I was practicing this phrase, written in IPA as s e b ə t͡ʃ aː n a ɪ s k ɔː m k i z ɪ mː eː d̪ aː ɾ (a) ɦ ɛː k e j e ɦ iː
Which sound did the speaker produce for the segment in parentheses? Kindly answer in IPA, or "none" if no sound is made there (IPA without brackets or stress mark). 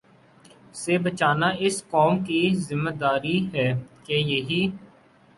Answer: i